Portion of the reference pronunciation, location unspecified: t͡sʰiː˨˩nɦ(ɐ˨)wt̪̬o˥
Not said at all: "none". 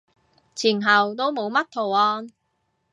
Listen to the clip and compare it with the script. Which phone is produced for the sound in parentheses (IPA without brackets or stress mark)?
ɐ˨